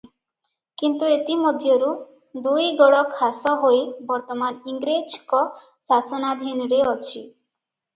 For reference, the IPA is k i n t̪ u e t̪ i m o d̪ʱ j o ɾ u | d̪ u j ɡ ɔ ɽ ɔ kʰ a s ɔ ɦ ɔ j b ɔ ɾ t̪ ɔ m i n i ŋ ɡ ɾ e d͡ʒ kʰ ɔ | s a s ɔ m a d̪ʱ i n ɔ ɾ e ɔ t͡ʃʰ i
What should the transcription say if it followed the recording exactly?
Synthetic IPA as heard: k i n t̪ u e t̪ i m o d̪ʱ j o ɾ u | d̪ u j ɡ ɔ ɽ ɔ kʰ a s ɔ ɦ o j b ɔ ɾ t̪ ɔ m a n i ŋ ɡ ɾ e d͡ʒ k ɔ | s a s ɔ n a d̪ʱ i n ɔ ɾ e ɔ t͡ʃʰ i

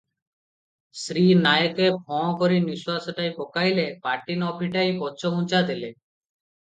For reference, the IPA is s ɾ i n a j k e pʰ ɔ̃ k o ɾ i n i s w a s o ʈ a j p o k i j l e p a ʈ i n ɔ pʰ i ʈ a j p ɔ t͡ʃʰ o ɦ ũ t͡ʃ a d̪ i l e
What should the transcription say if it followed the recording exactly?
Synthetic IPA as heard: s ɾ i n a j k e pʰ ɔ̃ k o ɾ i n i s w a s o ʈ a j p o k a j l e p a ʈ i n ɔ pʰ i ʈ a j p ɔ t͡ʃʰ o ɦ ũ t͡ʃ a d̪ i l e

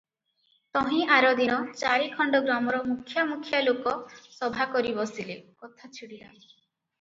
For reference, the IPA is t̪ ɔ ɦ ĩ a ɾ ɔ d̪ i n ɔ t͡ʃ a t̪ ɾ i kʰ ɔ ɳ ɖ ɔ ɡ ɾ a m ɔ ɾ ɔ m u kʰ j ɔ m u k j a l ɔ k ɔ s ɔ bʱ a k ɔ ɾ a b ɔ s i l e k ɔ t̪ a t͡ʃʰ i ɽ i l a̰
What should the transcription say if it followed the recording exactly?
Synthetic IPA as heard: t̪ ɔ ɦ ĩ a ɾ ɔ d̪ i n ɔ t͡ʃ a ɾ i kʰ ɔ ɳ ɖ ɔ ɡ ɾ a m ɔ ɾ ɔ m u kʰ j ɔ m u kʰ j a l o k ɔ s ɔ bʱ a k ɔ ɾ i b ɔ s i l e k ɔ t̪ʰ a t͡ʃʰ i ɽ i l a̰

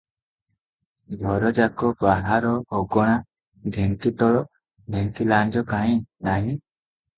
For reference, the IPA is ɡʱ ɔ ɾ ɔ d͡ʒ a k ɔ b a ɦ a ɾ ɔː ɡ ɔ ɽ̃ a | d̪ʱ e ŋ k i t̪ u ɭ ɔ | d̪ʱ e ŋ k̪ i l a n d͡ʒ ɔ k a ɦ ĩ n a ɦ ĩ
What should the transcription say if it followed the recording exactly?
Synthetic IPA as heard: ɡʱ ɔ ɾ ɔ d͡ʒ a k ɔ b a ɦ a ɾ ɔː ɡ ɔ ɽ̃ a | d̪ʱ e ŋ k i t̪ ɔ ɭ ɔ | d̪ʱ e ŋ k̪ i l a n d͡ʒ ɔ k a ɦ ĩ n a ɦ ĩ

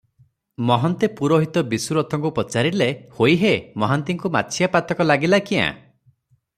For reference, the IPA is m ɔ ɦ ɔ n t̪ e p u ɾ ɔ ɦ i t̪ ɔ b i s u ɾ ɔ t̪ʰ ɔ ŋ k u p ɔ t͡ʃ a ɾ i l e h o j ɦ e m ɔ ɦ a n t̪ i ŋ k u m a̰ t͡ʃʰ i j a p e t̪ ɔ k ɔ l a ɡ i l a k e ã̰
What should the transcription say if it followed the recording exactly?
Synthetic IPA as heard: m ɔ ɦ ɔ n t̪ e p u ɾ ɔ ɦ i t̪ ɔ b i s u ɾ ɔ t̪ʰ ɔ ŋ k u p ɔ t͡ʃ a ɾ i l e h o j ɦ e m ɔ ɦ a n t̪ i ŋ k u m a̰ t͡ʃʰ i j a p a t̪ ɔ k ɔ l a ɡ i l a k i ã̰

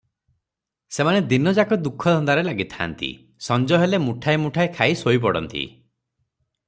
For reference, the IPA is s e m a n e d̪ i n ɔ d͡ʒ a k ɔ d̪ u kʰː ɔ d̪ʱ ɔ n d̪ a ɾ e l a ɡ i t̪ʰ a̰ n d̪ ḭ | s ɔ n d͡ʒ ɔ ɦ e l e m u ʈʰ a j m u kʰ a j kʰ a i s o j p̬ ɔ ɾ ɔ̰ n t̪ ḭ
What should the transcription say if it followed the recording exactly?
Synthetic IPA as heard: s e m a n e d̪ i n ɔ d͡ʒ a k ɔ d̪ u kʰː ɔ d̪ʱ ɔ n d̪ a ɾ e l a ɡ i t̪ʰ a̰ n t̪ ḭ | s ɔ n d͡ʒ ɔ ɦ e l e m u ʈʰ a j m u ʈʰ a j kʰ a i s o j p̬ ɔ ɽ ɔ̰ n t̪ ḭ

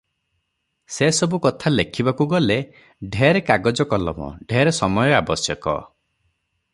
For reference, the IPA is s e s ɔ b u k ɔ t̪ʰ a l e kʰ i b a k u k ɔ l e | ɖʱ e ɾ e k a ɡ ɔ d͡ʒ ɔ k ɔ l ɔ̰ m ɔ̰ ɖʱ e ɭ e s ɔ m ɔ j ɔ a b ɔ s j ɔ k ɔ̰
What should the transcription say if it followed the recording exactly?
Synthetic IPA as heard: s e s ɔ b u k ɔ t̪ʰ a l e kʰ i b a k u ɡ ɔ l e | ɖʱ e ɾ e k a ɡ ɔ d͡ʒ ɔ k ɔ l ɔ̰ m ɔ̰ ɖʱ e ɾ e s ɔ m ɔ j ɔ a b ɔ s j ɔ k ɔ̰

